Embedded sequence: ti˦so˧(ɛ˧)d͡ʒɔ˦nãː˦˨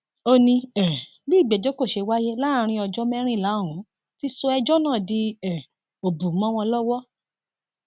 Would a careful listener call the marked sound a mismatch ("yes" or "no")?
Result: no